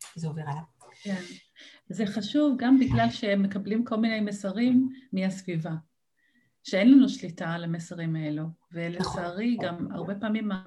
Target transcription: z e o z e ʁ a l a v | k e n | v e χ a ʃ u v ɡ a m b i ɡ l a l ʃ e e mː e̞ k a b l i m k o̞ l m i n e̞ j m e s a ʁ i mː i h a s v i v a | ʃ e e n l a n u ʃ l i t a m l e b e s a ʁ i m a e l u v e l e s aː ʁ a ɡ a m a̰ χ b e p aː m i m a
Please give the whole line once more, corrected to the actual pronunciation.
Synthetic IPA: z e o v e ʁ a l a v | k e n | z e χ a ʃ u v ɡ a m b i ɡ l a l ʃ e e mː e̞ k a b l i m k o̞ l m i n e̞ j m e s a ʁ i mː i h a s v i v a | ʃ e e n l a n u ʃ l i t a l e m e s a ʁ i m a e l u v e l e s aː ʁ i ɡ a m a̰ ʁ b e p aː m i m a